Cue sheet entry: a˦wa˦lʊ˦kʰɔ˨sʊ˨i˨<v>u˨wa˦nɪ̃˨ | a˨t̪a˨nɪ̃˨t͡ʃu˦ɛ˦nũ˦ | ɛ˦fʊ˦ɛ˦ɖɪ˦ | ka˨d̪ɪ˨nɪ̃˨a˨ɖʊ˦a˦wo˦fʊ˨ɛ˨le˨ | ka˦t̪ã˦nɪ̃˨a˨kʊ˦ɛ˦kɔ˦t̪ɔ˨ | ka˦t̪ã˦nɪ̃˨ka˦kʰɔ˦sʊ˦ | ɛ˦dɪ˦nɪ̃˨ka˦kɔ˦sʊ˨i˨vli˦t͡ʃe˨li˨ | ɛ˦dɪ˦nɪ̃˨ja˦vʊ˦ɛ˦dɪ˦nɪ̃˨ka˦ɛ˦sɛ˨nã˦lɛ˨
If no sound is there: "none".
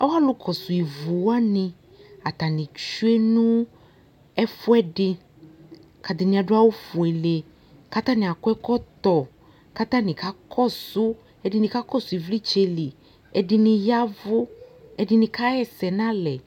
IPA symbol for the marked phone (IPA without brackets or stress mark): v